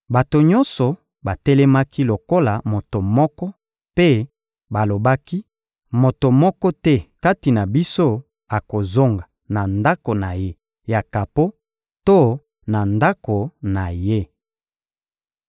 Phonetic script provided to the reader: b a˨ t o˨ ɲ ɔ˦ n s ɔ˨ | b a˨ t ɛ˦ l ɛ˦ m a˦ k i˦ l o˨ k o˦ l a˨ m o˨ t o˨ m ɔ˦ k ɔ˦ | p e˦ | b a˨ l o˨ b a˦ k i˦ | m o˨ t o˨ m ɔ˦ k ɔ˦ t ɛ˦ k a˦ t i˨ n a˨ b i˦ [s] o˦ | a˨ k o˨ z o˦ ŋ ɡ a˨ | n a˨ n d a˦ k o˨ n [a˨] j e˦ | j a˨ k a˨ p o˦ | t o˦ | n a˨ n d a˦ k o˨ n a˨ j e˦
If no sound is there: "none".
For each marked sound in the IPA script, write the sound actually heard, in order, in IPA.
s, a˨

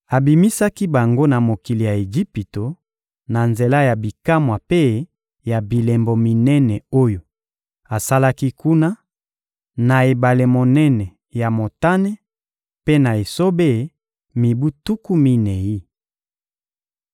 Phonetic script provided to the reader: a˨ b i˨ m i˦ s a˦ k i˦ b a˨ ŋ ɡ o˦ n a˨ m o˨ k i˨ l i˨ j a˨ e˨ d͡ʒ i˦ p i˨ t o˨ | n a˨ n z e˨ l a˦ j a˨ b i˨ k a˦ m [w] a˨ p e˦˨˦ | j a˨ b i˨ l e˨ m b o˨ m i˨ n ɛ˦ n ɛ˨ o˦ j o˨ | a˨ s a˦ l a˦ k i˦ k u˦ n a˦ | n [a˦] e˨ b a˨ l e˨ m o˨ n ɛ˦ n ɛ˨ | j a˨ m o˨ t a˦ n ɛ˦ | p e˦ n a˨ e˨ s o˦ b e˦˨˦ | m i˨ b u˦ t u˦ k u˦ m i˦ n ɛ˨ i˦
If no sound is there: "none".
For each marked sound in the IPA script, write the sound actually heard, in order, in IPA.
w, a˨

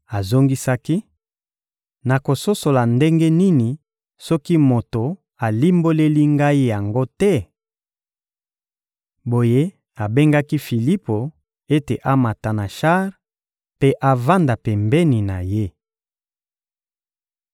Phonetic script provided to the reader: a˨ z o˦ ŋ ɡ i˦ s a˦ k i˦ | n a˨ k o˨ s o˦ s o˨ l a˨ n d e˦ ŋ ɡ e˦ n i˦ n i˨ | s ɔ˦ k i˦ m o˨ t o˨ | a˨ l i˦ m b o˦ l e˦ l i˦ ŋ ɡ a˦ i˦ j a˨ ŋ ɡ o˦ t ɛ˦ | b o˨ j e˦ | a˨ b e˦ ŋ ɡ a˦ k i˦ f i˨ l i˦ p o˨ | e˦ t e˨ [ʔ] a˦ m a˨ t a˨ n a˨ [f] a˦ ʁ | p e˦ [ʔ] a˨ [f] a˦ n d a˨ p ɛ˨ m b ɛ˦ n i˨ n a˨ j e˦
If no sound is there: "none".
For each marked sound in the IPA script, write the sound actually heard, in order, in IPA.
ʔ, ʃ, ʔ, v

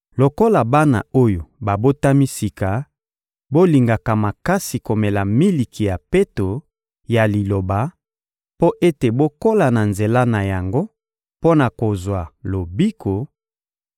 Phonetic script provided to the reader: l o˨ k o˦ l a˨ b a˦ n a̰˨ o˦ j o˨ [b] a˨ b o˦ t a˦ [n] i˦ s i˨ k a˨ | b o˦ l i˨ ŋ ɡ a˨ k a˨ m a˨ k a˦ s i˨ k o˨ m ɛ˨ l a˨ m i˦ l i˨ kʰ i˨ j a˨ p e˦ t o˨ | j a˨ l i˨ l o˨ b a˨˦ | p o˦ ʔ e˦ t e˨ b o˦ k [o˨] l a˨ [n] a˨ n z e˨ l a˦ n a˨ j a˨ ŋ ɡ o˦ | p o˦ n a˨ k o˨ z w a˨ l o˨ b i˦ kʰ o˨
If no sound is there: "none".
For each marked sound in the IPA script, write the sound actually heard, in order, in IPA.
b, m, o˦, n

